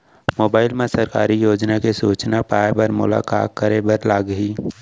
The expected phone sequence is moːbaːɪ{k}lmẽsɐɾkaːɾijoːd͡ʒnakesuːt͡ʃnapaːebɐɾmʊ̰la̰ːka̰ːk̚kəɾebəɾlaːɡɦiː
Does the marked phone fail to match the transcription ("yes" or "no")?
yes